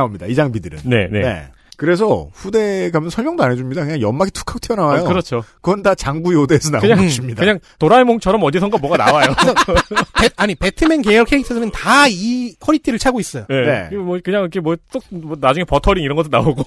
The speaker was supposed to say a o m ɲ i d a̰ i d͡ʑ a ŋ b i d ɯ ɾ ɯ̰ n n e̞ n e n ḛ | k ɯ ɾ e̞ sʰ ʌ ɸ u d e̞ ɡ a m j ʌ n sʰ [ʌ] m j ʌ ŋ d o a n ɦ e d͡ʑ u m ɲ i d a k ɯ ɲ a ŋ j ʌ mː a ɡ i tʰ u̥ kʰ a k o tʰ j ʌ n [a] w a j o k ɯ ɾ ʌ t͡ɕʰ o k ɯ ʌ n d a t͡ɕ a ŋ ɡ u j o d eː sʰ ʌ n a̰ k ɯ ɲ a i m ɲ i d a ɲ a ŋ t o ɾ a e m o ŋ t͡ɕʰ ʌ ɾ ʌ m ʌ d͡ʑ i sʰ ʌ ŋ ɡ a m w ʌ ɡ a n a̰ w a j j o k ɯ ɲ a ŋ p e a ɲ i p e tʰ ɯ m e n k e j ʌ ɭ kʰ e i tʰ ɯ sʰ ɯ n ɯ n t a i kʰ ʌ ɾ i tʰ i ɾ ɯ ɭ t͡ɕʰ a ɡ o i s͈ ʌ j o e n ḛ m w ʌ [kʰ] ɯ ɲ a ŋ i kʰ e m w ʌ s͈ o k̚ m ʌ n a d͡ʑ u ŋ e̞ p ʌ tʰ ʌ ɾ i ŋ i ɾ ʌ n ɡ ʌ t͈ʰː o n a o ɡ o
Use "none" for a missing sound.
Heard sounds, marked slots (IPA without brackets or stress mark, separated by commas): ʌ, a, k